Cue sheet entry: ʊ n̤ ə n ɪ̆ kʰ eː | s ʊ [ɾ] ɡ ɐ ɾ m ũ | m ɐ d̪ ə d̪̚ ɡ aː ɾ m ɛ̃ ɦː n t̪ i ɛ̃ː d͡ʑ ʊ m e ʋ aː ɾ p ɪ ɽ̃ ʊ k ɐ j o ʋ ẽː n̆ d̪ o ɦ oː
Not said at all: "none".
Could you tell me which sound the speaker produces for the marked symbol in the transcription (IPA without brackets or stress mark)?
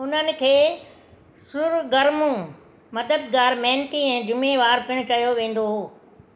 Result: ɾ